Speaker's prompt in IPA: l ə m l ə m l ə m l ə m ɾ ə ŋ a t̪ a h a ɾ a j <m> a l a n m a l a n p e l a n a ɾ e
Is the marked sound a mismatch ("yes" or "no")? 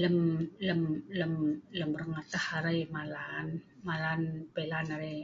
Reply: no